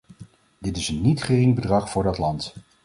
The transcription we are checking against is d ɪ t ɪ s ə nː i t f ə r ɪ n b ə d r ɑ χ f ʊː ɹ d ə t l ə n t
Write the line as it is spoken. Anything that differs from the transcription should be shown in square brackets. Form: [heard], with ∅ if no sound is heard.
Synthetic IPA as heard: d ɪ t ɪ s ə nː i t [χ] ə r ɪ [ŋ] b ə d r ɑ χ f ʊː ɹ d [ɑ] t l [ɑ] n t